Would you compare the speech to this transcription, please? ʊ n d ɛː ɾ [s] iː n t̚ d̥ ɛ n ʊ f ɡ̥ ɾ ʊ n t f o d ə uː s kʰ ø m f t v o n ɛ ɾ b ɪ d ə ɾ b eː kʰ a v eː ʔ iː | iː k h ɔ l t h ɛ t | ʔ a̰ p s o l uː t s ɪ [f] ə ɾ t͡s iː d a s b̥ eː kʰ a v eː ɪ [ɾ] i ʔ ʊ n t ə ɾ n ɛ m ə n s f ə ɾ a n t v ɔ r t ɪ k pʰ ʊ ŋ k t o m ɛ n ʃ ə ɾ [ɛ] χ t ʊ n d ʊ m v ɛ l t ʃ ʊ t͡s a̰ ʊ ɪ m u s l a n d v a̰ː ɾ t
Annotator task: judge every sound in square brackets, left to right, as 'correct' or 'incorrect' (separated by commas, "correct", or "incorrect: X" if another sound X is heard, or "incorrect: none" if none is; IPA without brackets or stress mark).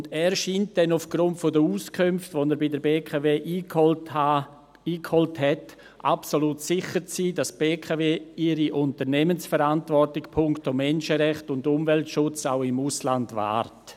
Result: incorrect: ʃ, incorrect: χ, correct, correct